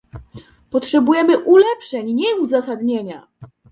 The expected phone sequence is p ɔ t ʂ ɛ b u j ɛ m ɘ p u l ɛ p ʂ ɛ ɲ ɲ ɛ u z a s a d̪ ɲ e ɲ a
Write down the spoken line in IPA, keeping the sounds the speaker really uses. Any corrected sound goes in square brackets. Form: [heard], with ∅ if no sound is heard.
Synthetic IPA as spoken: p ɔ t ʂ ɛ b u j ɛ m ɘ [ʔ] u l ɛ p ʂ ɛ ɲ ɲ ɛ u z a s a d̪ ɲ e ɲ a

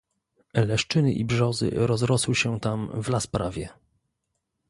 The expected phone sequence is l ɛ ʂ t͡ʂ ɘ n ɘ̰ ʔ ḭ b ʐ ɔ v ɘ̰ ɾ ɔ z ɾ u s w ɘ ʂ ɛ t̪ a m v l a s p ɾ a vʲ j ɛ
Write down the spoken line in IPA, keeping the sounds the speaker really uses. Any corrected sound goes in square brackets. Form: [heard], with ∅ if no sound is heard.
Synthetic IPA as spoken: l ɛ ʂ t͡ʂ ɘ n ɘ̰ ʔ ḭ b ʐ ɔ [z] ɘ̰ ɾ ɔ z ɾ [ɔ] s w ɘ [ɕ] ɛ t̪ a m v l a s p ɾ a vʲ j ɛ

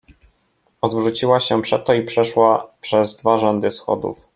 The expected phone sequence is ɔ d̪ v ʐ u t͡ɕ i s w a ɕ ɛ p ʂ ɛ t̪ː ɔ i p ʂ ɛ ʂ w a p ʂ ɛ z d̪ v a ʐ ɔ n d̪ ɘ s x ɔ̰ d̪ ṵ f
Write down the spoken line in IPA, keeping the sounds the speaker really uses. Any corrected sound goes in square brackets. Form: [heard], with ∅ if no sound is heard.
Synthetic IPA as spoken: ɔ d̪ v ʐ u t͡ɕ i [∅] w a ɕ ɛ p ʂ ɛ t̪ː ɔ i p ʂ ɛ ʂ w a p ʂ ɛ z d̪ v a ʐ ɔ n d̪ ɘ s x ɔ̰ d̪ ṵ f

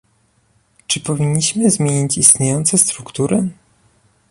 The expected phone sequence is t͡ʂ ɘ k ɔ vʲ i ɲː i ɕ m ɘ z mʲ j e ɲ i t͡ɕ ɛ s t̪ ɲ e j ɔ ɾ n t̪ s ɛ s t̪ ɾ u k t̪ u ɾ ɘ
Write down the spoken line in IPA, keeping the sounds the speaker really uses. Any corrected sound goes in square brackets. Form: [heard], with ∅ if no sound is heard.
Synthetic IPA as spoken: t͡ʂ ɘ [p] ɔ vʲ i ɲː i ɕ m ɘ z mʲ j e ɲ i t͡ɕ [i] s t̪ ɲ e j ɔ [∅] n t̪ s ɛ s t̪ ɾ u k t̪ u ɾ ɘ

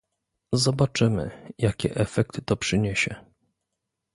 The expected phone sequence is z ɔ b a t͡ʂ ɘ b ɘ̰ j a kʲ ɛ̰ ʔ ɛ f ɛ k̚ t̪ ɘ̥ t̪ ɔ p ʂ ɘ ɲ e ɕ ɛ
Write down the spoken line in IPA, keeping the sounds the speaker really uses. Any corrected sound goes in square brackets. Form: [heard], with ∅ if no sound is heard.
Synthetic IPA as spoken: z ɔ b a t͡ʂ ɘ [m] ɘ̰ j a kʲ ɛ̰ ʔ ɛ f ɛ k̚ t̪ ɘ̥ t̪ ɔ p ʂ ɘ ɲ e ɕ ɛ

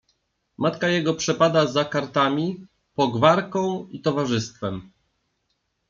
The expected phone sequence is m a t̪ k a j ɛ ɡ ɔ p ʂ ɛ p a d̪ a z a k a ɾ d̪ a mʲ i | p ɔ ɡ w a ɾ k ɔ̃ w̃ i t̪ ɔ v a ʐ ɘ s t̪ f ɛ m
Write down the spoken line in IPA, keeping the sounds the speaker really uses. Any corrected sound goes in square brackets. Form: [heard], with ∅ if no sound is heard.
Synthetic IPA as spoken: m a t̪ k a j ɛ ɡ ɔ p ʂ ɛ p a d̪ a z a k a ɾ [t̪] a mʲ i | p ɔ ɡ [v] a ɾ k ɔ̃ w̃ i t̪ ɔ v a ʐ ɘ s t̪ f ɛ m

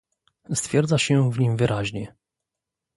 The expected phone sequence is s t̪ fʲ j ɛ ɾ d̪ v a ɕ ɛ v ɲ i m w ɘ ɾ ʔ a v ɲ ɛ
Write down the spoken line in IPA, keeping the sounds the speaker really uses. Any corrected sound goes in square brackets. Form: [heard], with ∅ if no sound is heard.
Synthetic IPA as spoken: s t̪ fʲ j ɛ ɾ d̪ [z] a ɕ ɛ v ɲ i m [v] ɘ ɾ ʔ a [ʑ] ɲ ɛ

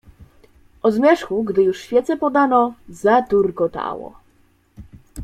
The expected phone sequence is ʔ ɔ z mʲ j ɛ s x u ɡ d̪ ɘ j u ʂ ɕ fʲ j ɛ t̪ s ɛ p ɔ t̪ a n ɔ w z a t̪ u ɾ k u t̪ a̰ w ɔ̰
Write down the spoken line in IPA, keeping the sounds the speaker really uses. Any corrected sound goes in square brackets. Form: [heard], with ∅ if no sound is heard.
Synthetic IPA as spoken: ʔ ɔ z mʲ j ɛ [ʂ] x u ɡ d̪ ɘ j u ʂ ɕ fʲ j ɛ t̪ s ɛ p ɔ [d̪] a n ɔ [∅] z a t̪ u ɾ k [ɔ] t̪ a̰ w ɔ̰

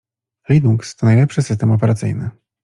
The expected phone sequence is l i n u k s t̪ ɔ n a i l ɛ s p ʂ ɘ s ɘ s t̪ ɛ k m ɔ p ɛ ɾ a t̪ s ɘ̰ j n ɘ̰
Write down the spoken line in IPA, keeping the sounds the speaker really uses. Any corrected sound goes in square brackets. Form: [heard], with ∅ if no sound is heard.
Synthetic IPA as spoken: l i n u k s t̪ ɔ n a [j] l ɛ [∅] p ʂ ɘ s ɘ s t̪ ɛ [∅] m ɔ p ɛ ɾ a t̪ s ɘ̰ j n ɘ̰

